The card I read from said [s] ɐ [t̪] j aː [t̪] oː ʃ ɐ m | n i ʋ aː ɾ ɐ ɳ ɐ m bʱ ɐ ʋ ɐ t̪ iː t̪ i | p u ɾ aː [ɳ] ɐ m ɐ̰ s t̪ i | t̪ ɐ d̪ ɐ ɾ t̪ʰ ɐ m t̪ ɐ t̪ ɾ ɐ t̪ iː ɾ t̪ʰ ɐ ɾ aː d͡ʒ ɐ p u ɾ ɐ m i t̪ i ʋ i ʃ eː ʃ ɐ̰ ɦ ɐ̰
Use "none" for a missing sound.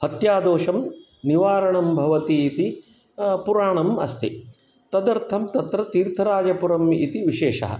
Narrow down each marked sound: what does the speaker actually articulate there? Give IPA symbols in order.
h, t̪, d̪, ɳ

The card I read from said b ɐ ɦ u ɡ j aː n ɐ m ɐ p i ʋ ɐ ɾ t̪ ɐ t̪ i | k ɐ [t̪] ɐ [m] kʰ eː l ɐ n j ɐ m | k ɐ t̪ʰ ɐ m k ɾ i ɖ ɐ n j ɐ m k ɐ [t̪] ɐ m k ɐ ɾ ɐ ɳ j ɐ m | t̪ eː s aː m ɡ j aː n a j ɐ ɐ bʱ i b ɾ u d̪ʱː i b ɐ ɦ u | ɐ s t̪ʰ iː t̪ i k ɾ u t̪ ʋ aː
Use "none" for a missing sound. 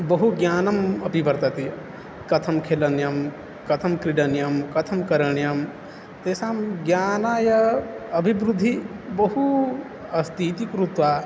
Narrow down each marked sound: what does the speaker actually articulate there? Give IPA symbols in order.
t̪ʰ, m, t̪ʰ

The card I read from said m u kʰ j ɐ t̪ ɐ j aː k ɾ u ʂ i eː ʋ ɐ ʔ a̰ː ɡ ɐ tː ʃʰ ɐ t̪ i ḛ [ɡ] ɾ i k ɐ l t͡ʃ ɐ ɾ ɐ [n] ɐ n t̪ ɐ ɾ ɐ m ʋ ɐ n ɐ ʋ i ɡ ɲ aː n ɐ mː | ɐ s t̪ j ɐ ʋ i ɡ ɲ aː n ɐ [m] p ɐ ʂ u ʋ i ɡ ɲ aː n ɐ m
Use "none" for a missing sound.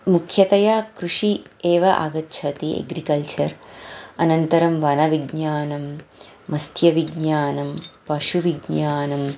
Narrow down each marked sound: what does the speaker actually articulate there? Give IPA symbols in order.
ɡ, n, m

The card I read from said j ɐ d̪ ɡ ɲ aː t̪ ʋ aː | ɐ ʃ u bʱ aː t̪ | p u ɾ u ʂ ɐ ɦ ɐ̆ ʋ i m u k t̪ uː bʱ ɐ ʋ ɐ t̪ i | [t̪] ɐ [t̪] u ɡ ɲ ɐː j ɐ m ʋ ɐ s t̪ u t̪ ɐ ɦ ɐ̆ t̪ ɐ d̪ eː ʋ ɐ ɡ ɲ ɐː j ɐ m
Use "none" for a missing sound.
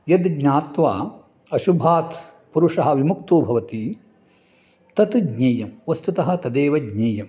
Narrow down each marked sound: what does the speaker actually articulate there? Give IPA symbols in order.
t̪, t̪

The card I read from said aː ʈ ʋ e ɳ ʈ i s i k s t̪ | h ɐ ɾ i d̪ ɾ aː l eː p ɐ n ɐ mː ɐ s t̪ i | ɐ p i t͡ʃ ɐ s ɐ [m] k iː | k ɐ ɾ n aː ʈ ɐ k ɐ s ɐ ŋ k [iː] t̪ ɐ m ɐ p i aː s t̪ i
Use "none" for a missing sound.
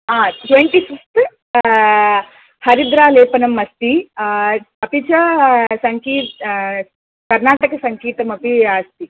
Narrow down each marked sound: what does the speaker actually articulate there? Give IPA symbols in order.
ŋ, iː

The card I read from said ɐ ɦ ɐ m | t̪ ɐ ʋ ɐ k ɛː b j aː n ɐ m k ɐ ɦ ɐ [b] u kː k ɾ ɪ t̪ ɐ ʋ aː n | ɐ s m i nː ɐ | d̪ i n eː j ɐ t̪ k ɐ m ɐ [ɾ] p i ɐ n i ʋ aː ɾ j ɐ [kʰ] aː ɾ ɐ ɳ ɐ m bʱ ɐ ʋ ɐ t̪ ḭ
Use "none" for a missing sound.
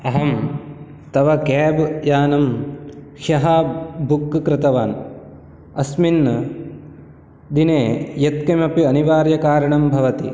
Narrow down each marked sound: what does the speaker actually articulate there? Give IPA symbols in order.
b, none, k

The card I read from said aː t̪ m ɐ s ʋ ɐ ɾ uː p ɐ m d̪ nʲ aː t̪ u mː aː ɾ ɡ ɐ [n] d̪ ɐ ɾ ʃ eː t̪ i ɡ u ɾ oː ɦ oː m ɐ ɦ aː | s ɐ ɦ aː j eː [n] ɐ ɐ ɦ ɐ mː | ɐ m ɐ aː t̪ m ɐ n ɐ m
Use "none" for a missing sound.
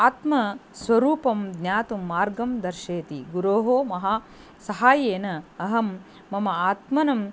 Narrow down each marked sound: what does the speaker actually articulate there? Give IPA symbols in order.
m, n

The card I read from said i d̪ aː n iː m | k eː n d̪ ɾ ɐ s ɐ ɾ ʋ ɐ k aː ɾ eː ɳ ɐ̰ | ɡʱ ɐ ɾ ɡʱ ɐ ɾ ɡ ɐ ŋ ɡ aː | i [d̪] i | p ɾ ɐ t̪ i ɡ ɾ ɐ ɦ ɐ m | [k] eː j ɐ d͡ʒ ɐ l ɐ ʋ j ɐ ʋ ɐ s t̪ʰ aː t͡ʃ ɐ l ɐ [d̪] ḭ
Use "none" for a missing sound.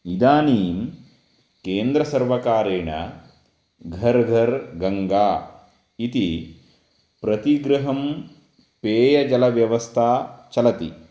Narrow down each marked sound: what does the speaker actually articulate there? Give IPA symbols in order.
t̪, p, t̪

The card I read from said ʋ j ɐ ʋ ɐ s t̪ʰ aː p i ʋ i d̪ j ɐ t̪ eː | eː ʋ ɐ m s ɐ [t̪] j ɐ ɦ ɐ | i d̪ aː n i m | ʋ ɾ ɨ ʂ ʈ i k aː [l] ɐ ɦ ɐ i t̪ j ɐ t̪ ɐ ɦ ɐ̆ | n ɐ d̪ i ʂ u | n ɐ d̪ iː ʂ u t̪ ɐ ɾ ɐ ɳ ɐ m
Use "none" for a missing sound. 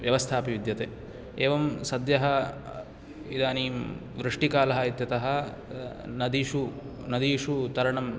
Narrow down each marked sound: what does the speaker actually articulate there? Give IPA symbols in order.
d̪, l

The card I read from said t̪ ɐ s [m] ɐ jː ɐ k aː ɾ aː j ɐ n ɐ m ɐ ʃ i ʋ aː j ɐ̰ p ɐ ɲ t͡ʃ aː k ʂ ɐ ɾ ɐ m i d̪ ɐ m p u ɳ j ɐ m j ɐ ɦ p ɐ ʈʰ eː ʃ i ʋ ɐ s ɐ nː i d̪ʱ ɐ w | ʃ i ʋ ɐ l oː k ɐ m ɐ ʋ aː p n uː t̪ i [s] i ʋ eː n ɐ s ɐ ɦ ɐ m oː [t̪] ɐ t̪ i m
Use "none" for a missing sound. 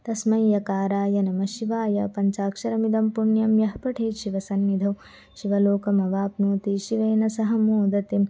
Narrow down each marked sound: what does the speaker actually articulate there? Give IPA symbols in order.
m, ʃ, d̪

